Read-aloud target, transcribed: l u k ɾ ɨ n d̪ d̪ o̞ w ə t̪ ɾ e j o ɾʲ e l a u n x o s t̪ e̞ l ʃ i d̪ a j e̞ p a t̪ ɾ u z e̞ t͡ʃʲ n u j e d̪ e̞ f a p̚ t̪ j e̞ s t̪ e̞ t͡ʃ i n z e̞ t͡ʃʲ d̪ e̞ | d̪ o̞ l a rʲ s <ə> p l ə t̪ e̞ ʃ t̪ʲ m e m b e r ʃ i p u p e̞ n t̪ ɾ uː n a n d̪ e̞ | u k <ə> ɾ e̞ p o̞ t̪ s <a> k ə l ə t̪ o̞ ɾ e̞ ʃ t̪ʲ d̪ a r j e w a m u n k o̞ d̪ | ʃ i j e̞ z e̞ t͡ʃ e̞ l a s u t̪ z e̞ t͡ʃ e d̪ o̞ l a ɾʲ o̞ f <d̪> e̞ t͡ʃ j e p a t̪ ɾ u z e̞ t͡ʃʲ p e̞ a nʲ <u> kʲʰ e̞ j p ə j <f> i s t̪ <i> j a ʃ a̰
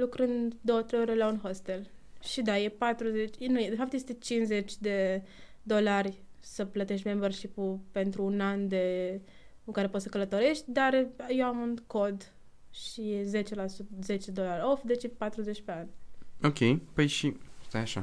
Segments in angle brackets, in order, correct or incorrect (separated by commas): correct, incorrect, incorrect, correct, incorrect, incorrect, incorrect